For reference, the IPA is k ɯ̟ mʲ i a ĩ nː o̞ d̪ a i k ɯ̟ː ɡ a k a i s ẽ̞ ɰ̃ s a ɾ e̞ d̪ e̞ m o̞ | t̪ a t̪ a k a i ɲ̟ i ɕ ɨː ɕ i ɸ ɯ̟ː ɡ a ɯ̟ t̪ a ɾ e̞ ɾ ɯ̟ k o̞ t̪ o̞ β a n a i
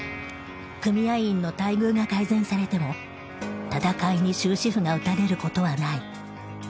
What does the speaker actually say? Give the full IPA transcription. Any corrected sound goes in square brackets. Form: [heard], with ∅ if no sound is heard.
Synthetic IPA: k ɯ̟ mʲ i a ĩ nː o̞ [t̪] a i [ɡ] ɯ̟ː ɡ a k a i [z] ẽ̞ ɰ̃ s a ɾ e̞ [t̪] e̞ m o̞ | t̪ a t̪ a k a i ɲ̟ i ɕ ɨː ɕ i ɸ [ɯ̟] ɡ a ɯ̟ t̪ a ɾ e̞ ɾ ɯ̟ k o̞ t̪ o̞ β a n a i